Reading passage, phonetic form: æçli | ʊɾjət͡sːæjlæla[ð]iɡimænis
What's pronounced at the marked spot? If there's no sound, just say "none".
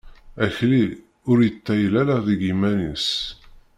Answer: ð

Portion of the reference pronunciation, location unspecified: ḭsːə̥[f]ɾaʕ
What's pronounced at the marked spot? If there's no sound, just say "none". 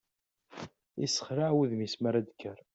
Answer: χ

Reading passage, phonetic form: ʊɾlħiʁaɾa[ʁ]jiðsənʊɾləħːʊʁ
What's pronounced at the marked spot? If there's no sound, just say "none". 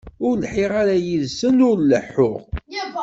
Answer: none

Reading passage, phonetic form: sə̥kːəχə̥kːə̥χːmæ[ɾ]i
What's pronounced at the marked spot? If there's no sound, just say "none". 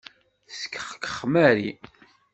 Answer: ɾ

